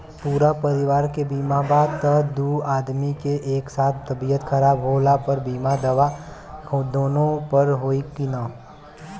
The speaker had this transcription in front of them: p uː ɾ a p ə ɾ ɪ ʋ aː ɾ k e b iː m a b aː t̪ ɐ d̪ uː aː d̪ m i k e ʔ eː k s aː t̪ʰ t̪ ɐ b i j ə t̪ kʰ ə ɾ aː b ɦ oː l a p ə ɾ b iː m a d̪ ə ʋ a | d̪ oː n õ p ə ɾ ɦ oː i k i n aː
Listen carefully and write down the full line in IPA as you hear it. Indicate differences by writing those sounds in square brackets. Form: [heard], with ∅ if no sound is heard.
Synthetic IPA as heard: p uː ɾ a p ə ɾ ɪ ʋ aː ɾ k e b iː m a b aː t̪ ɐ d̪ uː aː d̪ m i k e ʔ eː k s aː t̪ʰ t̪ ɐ b i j ə t̪ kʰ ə ɾ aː b ɦ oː l a p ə ɾ b iː m a d̪ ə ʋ a | d̪ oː n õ p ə ɾ ɦ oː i k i n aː